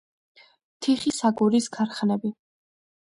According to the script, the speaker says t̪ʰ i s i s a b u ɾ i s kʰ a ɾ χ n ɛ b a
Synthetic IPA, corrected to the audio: t̪ʰ i χ i s a ɡ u ɾ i s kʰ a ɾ χ n ɛ b i